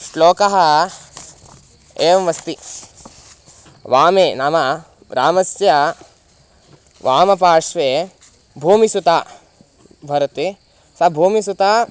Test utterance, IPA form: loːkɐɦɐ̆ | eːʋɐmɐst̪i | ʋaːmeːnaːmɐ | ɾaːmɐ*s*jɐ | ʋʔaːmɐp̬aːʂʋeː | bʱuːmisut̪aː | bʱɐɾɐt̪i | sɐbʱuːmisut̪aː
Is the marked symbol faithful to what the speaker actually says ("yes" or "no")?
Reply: yes